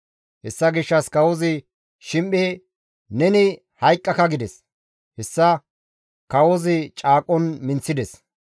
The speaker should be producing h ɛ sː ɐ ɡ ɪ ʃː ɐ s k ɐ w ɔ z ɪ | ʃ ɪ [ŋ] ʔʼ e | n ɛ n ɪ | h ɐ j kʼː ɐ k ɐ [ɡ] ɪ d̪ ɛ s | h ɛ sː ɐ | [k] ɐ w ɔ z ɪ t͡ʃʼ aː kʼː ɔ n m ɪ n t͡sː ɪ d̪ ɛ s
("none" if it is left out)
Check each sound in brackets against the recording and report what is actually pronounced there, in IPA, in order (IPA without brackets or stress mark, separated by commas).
m, ɡ, k